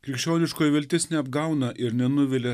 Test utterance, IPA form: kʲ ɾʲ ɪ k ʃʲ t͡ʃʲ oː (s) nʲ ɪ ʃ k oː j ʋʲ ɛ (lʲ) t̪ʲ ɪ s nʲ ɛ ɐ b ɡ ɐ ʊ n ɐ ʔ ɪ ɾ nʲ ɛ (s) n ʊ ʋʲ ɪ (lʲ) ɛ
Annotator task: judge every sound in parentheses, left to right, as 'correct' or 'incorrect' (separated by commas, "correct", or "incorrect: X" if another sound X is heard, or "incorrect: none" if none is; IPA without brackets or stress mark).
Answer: incorrect: none, correct, incorrect: none, correct